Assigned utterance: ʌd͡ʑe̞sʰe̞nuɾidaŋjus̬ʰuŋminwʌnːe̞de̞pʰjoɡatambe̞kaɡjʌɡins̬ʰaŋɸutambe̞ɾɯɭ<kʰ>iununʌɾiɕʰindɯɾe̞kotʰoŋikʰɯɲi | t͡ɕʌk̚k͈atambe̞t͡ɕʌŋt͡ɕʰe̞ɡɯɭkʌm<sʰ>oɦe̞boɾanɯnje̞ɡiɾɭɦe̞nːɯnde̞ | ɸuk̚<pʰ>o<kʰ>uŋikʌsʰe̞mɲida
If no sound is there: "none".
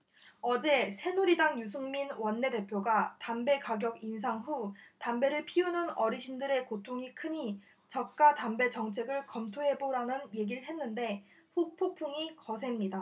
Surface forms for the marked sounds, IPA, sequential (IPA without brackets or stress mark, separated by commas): pʰ, tʰ, pʰ, pʰ